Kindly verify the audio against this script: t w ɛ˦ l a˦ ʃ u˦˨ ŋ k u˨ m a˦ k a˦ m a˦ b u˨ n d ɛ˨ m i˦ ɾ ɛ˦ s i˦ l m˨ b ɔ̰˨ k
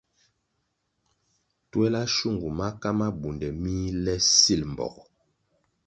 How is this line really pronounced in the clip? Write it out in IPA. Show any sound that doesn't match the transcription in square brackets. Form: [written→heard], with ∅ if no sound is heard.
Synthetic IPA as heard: t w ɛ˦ l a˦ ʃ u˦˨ ŋ [k→ɡ] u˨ m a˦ k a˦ m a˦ b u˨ n d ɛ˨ m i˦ [ɾ→l] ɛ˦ s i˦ l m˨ b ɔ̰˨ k